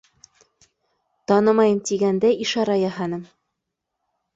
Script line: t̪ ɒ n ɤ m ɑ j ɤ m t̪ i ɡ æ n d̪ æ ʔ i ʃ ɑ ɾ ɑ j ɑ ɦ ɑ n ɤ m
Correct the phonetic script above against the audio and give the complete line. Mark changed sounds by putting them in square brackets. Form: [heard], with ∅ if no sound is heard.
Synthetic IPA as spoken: t̪ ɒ n ɤ m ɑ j ɤ m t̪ i ɡ æ n d̪ æ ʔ i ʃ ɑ ɾ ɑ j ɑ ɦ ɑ n ɤ m